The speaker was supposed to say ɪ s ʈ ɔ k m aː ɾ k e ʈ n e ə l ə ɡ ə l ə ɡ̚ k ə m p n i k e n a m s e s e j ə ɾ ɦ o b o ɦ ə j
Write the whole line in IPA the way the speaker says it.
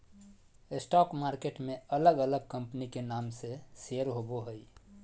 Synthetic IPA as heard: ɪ s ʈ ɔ k m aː ɾ k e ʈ m e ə l ə ɡ ə l ə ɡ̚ k ə m p n i k e n a m s e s e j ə ɾ ɦ o b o ɦ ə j